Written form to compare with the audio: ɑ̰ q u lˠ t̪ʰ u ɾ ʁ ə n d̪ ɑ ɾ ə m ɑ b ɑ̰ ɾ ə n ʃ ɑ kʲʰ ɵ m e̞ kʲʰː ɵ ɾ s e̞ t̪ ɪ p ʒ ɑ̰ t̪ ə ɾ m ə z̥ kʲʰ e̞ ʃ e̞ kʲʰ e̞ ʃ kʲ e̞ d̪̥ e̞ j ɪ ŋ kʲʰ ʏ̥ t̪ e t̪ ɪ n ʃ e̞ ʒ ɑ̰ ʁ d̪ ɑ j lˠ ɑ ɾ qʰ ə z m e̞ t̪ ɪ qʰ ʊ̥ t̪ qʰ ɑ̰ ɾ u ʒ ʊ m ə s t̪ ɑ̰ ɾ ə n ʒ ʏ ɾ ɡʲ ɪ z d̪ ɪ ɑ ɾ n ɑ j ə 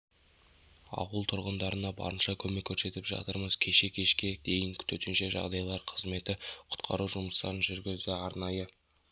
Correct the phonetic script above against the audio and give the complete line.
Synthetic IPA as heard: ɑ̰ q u lˠ t̪ʰ ʊ ɾ ʁ ə n d̪ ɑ ɾ ə n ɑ b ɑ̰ ɾ ə n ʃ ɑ kʲʰ ɵ m e̞ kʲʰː ɵ ɾ s e̞ t̪ ɪ p ʒ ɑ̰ t̪ ə ɾ m ə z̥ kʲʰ e̞ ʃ e̞ kʲʰ e̞ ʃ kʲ e̞ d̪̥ e̞ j ɪ ŋ kʲʰ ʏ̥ t̪ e t̪ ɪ n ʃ e̞ ʒ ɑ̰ ʁ d̪ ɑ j lˠ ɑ ɾ qʰ ə z m e̞ t̪ ɪ qʰ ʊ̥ t̪ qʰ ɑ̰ ɾ u ʒ ʊ m ə s t̪ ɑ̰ ɾ ə n ʒ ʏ ɾ ɡʲ ɪ z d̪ ɪ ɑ ɾ n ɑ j ə

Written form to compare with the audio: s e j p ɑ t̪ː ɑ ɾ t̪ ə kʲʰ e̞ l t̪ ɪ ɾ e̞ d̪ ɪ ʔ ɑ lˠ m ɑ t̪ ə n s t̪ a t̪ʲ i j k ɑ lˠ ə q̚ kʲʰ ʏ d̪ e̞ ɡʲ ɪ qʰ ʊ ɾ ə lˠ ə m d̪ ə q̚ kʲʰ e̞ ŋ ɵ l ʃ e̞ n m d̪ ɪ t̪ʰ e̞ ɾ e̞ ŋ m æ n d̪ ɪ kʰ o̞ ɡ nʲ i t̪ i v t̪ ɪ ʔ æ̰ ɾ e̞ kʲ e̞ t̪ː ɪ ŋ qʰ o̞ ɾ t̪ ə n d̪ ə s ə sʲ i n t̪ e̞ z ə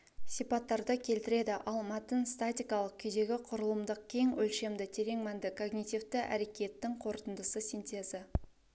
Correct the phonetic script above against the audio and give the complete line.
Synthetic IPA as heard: s i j p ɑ t̪ː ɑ ɾ d̪ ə kʲʰ e̞ l t̪ ɪ ɾ e̞ d̪ ɪ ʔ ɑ lˠ m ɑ t̪ ə n s t̪ a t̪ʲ i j k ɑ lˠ ə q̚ kʲʰ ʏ d̪ e̞ ɡʲ ɪ qʰ ʊ ɾ ə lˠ ə m d̪ ə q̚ kʲʰ e̞ ŋ ɵ l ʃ e̞ m d̪ ɪ t̪ʰ e̞ ɾ e̞ ŋ m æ n d̪ ɪ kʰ o̞ ɡ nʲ i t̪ i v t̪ ɪ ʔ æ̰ ɾ e̞ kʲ e̞ t̪ː ɪ ŋ qʰ o̞ ɾ t̪ ə n d̪ ə s ə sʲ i n t̪ e̞ z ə

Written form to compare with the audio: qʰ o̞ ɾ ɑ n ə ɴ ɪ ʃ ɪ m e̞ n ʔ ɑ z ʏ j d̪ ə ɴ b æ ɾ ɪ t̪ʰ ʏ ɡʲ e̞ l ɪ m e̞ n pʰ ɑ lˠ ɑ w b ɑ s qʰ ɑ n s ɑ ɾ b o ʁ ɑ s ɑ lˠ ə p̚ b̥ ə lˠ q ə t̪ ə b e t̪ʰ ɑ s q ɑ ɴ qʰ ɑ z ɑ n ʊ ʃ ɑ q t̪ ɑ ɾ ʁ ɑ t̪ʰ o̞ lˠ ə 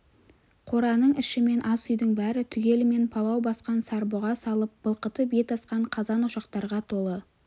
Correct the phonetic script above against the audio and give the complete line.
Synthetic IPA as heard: qʰ o̞ ɾ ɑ n ə ɴ ɪ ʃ ɪ m e̞ n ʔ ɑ s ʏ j d̪ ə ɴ b æ ɾ ɪ t̪ʰ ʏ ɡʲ e̞ l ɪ m e̞ n pʰ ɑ lˠ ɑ w b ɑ s q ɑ n s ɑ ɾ b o ʁ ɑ s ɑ lˠ ə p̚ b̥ ə lˠ q ə t̪ ə b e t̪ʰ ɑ s q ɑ ɴ qʰ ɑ z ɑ n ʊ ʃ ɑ q t̪ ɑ ɾ ʁ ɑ t̪ʰ o̞ lˠ ə

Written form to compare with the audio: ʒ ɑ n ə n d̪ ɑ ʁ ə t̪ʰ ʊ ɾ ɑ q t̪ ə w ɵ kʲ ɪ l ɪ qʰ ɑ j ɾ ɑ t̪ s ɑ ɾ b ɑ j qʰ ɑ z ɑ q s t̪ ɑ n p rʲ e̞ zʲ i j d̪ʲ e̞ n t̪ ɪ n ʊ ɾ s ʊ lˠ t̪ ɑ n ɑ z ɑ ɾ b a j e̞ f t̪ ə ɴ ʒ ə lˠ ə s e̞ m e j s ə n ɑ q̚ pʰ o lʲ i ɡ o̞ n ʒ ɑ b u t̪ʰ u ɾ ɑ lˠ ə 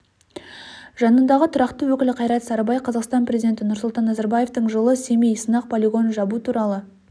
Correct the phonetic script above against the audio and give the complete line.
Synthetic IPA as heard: ʒ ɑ n ə n d̪ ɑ ʁ ə t̪ʰ ʊ ɾ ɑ q t̪ ə w ɵ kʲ ɪ l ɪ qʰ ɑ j ɾ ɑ t̪ s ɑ ɾ b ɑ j qʰ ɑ z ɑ q s t̪ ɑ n p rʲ e̞ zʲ i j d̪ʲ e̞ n t̪ ɪ n ʊ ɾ s ʊ lˠ t̪ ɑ nː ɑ z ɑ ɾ b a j e̞ f t̪ ə ɴ ʒ ə lˠ ə s e̞ m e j s ə n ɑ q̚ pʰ o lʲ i ɡ o̞ n ʒ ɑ b u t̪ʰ u ɾ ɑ lˠ ə

